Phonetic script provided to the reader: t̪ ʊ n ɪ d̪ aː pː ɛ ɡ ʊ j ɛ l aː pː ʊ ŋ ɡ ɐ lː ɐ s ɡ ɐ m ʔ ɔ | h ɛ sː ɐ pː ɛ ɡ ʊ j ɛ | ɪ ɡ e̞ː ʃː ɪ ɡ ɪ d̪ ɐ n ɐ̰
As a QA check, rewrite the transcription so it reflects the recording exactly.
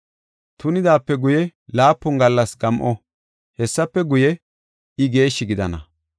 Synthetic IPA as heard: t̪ ʊ n ɪ d̪ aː pː ɛ ɡ ʊ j ɛ l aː pː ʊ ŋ ɡ ɐ lː ɐ s ɡ ɐ m ʔ ɔ | h ɛ sː ɐ pː ɛ ɡ ʊ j ɛ | ɪ ɡ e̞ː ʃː ɪ ɡ ɪ d̪ ɐ n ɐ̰